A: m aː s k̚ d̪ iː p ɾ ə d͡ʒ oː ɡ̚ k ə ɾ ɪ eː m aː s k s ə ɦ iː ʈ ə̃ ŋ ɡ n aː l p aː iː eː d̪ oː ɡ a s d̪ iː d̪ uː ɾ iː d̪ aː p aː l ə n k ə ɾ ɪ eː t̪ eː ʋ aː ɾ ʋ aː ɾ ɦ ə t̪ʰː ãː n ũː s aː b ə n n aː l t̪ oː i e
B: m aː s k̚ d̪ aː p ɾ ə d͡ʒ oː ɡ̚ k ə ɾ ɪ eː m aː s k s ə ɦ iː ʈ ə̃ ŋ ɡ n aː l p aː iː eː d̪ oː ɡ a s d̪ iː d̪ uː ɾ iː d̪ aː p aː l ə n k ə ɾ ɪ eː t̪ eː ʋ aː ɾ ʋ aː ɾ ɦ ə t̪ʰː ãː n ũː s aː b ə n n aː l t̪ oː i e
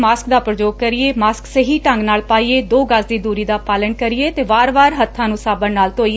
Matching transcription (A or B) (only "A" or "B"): B